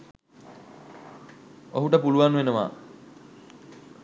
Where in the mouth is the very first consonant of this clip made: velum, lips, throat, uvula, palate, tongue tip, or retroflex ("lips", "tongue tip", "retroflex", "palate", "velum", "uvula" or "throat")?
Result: throat